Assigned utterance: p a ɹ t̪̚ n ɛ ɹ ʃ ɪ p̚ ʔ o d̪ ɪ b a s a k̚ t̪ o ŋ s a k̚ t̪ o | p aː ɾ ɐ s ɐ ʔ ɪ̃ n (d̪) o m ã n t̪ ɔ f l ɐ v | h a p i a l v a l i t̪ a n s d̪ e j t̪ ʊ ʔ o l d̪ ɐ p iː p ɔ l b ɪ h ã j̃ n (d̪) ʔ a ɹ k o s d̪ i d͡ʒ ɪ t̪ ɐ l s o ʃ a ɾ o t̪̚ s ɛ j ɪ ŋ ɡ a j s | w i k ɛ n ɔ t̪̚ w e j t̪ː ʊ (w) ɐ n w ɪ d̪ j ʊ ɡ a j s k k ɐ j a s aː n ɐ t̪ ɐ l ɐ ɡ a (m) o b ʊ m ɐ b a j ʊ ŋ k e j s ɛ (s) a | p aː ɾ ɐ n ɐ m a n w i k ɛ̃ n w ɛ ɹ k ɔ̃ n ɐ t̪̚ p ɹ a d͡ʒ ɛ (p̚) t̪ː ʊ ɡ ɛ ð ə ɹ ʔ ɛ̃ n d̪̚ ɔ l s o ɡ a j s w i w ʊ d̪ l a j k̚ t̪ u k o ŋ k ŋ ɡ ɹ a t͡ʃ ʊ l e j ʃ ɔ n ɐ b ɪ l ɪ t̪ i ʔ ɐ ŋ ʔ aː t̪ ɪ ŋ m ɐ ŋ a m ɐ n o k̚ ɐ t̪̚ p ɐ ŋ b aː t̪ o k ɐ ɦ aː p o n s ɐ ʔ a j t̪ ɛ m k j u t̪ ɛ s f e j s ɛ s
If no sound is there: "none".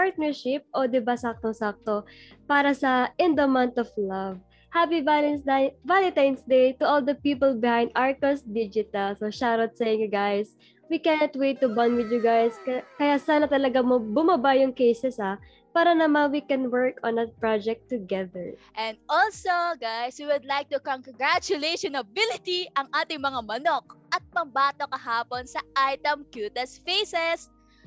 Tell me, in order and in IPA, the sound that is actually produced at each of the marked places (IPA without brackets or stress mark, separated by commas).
d̪, d̪, b, m, s, k̚